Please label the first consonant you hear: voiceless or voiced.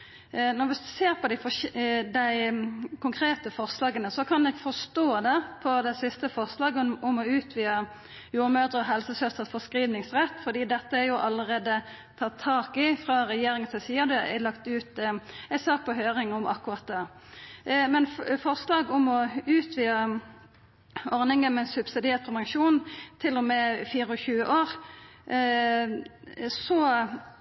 voiced